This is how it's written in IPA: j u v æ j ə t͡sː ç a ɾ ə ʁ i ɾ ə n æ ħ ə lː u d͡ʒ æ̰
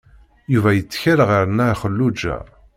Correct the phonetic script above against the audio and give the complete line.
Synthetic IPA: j u v æ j ə t͡sː ç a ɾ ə ʁ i ɾ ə n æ χ ə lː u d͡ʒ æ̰

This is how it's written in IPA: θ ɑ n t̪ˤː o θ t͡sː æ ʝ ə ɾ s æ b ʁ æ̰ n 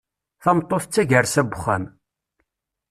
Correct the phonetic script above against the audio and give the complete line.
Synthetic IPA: θ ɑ m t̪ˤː o θ t͡sː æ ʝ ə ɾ s æ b χ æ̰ m

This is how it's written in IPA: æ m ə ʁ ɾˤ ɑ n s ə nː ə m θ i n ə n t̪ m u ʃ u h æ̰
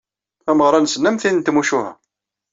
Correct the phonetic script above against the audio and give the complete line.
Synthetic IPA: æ m ə ʁ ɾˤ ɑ n s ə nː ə m θ i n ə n t̪ m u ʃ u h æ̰

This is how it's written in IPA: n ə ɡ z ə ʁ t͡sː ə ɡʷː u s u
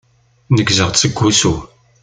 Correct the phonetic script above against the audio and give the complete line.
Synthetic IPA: n ə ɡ z ə ʁ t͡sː ə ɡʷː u s u

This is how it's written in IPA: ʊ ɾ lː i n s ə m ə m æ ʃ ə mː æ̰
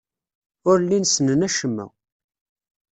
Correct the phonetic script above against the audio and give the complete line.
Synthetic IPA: ʊ ɾ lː i n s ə n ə n æ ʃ ə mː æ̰

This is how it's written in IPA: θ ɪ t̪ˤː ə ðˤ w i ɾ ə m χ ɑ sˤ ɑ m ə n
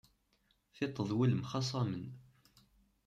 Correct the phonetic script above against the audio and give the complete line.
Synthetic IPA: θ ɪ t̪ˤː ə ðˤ w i l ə m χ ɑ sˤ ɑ m ə n

